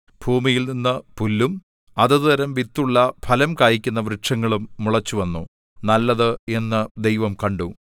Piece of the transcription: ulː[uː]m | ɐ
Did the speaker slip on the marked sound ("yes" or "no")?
yes